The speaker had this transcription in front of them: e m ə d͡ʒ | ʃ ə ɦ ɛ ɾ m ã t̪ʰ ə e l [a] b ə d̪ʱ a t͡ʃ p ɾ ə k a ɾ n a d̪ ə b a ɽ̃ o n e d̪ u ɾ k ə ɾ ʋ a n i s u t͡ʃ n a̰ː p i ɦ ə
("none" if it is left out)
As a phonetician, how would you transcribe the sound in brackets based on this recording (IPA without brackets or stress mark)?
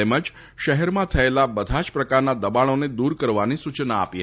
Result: a